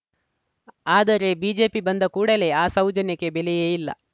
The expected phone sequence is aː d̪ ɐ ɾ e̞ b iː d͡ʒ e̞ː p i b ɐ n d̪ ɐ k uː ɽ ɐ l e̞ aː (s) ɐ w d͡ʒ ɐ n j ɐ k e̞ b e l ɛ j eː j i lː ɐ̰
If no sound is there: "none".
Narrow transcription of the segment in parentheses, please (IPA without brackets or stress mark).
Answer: s